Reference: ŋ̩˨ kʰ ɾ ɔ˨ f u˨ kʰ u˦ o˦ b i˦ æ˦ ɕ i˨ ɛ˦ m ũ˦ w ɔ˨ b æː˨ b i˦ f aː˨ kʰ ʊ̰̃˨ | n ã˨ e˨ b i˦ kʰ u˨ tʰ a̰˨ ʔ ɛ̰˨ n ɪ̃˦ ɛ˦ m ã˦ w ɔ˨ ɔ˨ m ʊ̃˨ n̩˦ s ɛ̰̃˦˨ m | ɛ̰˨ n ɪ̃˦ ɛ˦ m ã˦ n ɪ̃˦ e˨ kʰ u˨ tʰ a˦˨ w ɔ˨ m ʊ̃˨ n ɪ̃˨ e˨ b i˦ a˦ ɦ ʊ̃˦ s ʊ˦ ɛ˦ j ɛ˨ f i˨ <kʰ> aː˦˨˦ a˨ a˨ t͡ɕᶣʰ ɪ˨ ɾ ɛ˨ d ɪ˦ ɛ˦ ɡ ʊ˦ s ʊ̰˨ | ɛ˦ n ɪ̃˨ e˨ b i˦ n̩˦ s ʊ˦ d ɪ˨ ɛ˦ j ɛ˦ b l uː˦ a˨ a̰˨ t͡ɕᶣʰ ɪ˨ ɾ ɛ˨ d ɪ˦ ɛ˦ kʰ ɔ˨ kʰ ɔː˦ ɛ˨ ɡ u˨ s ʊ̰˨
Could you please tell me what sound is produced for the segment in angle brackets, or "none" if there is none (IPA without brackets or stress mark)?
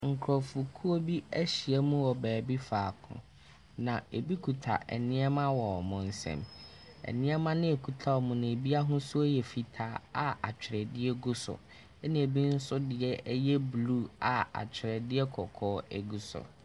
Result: tʰ